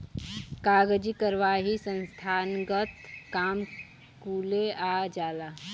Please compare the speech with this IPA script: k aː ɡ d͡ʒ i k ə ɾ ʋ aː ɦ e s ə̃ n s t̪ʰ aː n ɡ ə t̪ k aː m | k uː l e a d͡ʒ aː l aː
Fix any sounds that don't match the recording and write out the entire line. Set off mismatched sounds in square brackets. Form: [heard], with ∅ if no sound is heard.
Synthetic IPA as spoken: k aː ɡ d͡ʒ i k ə ɾ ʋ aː ɦ [i] s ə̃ n s t̪ʰ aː n ɡ ə t̪ k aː m | k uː l e a d͡ʒ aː l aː